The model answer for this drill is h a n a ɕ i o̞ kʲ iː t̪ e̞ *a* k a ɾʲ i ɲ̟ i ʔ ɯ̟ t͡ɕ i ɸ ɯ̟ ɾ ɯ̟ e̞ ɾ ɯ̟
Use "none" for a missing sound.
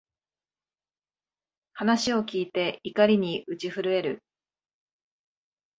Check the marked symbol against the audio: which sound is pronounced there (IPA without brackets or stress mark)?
i